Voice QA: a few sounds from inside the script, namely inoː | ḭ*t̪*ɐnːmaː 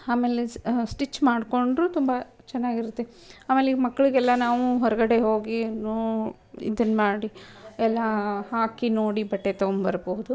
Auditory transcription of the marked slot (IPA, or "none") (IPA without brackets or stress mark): d̪